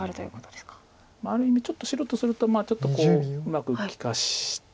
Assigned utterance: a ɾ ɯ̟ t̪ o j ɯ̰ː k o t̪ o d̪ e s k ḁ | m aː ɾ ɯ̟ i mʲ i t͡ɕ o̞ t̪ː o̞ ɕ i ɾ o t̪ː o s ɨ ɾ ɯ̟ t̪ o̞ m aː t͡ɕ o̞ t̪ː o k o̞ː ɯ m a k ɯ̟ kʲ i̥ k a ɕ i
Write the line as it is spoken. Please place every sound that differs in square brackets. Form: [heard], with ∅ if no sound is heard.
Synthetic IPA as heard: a ɾ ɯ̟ t̪ o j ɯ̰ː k o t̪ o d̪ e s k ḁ | m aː ɾ ɯ̟ i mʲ i t͡ɕ o̞ t̪ː o̞ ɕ i ɾ o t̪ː o s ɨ ɾ ɯ̟ t̪ o̞ m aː t͡ɕ o̞ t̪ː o k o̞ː ɯ m a k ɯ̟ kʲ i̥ k a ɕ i